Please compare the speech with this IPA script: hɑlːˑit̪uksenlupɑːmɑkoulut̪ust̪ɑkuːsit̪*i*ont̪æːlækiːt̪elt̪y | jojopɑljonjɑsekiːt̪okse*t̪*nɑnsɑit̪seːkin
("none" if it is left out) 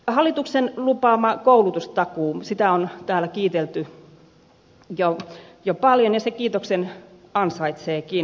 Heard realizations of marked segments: æ, none

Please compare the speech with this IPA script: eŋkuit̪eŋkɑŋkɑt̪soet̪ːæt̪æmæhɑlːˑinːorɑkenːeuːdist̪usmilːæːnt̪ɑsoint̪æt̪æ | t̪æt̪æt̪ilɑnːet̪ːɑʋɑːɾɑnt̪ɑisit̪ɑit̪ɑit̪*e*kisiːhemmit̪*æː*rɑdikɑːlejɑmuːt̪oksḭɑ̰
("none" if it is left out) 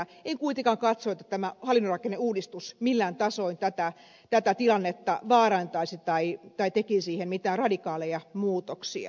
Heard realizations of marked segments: e, æː

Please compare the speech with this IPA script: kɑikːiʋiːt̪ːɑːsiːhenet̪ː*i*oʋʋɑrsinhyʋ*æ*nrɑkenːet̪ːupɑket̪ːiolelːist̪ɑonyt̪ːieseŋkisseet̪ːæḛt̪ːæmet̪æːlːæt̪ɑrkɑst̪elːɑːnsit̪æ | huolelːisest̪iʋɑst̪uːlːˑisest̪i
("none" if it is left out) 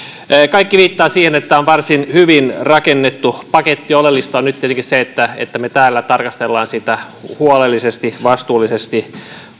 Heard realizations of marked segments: æ, i

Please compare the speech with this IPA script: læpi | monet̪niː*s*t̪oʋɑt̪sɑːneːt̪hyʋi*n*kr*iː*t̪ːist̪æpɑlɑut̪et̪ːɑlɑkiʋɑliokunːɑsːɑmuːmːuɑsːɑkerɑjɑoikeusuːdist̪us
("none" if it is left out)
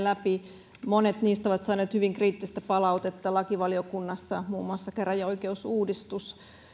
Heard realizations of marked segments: s, ŋ, iː

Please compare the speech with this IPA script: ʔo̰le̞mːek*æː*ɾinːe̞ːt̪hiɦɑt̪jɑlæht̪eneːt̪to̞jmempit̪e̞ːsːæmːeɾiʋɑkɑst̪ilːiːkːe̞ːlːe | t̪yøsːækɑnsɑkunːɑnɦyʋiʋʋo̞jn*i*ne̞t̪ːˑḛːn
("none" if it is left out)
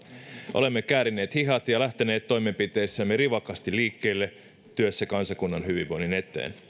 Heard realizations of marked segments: æː, i

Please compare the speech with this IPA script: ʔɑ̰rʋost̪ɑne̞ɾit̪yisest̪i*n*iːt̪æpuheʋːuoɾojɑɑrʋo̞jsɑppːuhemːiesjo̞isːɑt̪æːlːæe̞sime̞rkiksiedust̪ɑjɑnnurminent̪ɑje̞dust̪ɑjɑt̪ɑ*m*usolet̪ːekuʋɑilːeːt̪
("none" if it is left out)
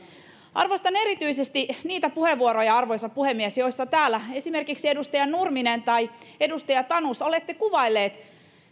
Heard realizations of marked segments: n, n

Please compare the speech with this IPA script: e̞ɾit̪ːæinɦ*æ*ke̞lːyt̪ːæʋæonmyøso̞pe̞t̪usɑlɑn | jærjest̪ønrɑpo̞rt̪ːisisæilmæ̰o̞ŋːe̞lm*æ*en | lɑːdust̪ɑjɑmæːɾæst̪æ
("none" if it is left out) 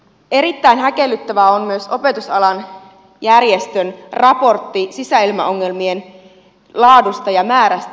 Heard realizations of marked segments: æ, i

